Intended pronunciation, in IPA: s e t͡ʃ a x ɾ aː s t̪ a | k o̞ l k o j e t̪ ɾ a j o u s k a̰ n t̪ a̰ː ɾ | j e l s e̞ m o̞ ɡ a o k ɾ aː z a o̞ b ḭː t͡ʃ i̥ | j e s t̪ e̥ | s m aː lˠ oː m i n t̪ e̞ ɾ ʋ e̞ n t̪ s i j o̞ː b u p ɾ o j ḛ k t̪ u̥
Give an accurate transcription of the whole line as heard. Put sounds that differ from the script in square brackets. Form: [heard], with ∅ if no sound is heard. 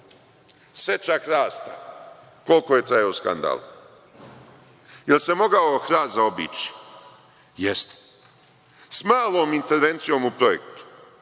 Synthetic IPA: s e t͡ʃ a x ɾ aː s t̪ a | k o̞ l k o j e t̪ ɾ a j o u s k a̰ n [d̪] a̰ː [l] | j e l s e̞ m o̞ ɡ a o [x] ɾ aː z a o̞ b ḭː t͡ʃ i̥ | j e s t̪ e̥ | s m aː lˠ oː m i n t̪ e̞ ɾ ʋ e̞ n t̪ s i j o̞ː [m] u p ɾ o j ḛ k t̪ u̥